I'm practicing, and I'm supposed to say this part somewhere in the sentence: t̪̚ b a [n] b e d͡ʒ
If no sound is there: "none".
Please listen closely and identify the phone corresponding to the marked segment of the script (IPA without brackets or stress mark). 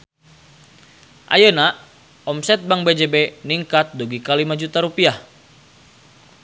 ŋ